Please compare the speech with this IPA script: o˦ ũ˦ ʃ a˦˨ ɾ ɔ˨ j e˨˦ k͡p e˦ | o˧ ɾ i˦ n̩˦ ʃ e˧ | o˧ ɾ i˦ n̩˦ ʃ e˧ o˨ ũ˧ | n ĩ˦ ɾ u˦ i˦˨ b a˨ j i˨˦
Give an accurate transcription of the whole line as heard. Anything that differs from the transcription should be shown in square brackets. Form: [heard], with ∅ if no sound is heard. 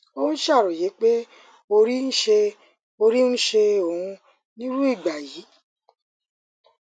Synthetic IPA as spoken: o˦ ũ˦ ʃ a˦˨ ɾ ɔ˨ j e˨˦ k͡p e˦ | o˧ ɾ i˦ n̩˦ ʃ e˧ | o˧ ɾ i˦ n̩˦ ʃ e˧ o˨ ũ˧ | n ĩ˦ ɾ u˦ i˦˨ [ɡ͡b] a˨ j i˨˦